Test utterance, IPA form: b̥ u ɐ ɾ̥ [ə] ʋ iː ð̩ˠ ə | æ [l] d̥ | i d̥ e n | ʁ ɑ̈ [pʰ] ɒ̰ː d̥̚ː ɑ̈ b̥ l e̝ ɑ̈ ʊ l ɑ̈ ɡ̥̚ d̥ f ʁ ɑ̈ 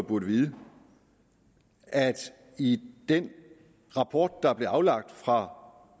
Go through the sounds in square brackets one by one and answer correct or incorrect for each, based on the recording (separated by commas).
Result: correct, incorrect, correct